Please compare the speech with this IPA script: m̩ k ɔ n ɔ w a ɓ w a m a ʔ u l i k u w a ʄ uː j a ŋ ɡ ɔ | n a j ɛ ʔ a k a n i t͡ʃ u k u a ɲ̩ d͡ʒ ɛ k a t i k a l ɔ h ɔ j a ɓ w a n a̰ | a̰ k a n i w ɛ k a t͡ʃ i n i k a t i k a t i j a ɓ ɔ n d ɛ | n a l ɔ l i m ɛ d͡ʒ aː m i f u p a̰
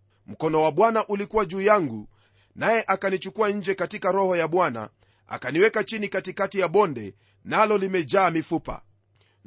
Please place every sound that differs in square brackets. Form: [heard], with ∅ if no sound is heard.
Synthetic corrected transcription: m̩ k ɔ n ɔ w a ɓ w a [n] a ʔ u l i k u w a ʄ uː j a ŋ ɡ [u] | n a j ɛ ʔ a k a n i t͡ʃ u k u a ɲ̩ d͡ʒ ɛ k a t i k a [ɾ] ɔ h ɔ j a ɓ w a n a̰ | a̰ k a n i w ɛ k a t͡ʃ i n i k a t i k a t i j a ɓ ɔ n d ɛ | n a l ɔ l i m ɛ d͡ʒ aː m i f u p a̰